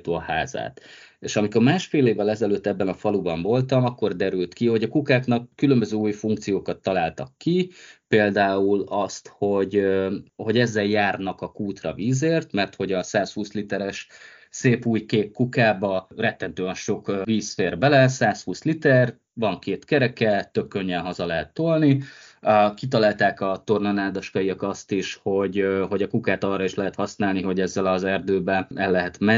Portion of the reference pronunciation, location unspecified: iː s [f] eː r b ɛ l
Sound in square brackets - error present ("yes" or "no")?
no